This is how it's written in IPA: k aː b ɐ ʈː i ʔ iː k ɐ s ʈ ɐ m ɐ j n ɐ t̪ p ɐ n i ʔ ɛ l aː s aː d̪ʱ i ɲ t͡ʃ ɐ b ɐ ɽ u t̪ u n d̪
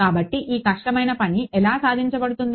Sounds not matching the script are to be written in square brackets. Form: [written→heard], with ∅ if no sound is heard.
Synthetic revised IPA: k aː b ɐ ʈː i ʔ iː k ɐ [s→ʂ] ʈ ɐ m ɐ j n ɐ [t̪→∅] p ɐ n i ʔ ɛ l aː s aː d̪ʱ i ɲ t͡ʃ ɐ b ɐ ɽ u t̪ u n d̪